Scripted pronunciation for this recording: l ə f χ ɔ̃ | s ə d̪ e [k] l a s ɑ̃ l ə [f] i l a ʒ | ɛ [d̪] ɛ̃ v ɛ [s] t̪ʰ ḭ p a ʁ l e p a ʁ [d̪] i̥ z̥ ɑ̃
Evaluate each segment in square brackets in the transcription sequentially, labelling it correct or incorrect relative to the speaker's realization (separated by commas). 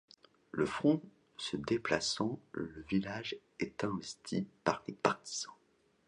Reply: incorrect, incorrect, incorrect, correct, incorrect